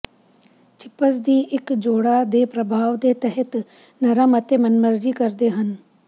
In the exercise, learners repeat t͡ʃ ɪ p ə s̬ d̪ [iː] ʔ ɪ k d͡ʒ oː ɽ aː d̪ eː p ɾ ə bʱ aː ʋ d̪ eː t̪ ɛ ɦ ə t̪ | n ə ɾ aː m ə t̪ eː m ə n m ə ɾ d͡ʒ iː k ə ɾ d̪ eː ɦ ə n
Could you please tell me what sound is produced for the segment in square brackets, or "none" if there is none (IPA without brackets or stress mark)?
iː